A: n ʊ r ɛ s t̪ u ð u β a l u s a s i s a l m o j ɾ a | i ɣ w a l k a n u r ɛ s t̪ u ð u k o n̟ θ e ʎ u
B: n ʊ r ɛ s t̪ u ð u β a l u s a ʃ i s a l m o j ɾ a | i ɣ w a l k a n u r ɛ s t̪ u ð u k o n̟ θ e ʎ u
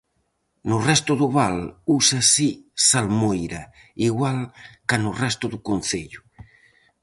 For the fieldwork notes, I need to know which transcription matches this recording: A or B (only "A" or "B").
A